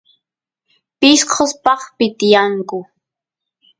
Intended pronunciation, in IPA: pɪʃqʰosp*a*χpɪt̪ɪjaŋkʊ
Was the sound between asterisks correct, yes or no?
no